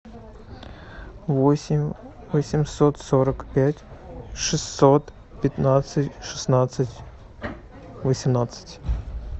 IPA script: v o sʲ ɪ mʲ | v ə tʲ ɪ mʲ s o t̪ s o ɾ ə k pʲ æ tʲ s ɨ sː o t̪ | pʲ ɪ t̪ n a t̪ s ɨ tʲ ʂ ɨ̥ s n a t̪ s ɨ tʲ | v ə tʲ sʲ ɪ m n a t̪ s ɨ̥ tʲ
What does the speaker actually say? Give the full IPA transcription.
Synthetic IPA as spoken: v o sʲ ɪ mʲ | v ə sʲ ɪ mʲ s o t̪ s o ɾ ə k pʲ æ tʲ ʂ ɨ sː o t̪ | pʲ ɪ t̪ n a t̪ s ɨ tʲ ʂ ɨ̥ s n a t̪ s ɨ tʲ | v ə sʲ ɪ m n a t̪ s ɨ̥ tʲ